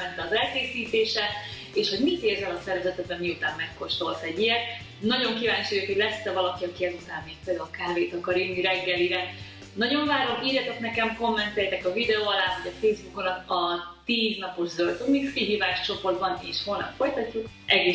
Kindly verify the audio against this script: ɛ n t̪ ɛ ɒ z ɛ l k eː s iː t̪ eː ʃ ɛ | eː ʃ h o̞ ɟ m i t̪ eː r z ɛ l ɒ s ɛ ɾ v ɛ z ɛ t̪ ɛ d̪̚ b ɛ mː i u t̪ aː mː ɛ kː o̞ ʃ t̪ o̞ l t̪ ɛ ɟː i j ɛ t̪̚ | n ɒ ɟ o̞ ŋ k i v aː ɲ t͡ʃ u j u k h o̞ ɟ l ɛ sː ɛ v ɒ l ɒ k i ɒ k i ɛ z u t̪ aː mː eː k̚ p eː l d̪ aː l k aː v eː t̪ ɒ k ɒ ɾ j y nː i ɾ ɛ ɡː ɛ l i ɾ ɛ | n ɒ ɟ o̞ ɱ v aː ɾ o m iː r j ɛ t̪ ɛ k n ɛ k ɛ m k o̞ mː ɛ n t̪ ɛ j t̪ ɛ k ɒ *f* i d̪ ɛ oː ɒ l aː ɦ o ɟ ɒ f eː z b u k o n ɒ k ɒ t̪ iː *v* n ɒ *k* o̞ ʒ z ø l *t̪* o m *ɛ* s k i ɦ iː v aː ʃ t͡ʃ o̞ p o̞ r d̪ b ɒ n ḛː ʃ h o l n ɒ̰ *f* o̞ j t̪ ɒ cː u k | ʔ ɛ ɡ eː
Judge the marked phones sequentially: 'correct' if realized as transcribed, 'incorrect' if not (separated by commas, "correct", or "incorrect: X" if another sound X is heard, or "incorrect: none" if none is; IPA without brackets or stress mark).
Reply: incorrect: v, incorrect: z, incorrect: p, correct, incorrect: i, correct